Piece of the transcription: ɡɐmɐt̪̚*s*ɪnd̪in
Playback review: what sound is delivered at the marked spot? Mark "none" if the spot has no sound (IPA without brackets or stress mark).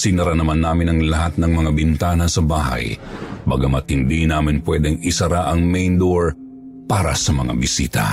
h